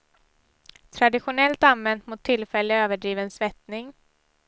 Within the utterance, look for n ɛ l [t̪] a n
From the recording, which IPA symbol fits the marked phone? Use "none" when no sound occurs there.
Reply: t̪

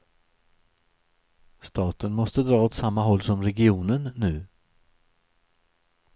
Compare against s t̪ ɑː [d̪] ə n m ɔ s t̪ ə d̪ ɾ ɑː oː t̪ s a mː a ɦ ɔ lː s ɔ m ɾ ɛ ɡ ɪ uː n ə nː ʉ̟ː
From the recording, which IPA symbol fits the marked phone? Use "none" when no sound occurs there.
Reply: t̪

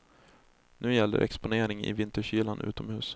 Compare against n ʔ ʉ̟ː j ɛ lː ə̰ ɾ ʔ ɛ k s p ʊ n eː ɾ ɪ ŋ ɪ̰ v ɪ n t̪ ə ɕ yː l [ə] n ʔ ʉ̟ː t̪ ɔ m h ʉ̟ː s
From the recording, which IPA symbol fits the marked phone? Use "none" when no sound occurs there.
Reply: a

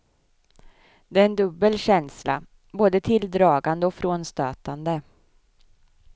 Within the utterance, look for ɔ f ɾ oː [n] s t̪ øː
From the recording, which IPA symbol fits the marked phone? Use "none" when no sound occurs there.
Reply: n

